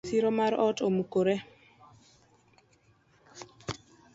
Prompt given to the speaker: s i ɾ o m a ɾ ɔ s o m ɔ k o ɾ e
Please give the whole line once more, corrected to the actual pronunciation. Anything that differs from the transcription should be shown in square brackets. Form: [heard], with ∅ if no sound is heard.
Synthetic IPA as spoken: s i ɾ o m a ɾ ɔ [t] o m [u] k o ɾ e